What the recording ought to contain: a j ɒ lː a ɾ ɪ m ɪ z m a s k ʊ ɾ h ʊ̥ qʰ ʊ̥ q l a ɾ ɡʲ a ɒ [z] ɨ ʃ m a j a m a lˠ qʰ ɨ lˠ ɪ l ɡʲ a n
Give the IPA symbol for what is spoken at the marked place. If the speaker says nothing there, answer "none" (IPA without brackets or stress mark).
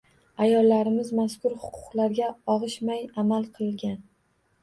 ʁ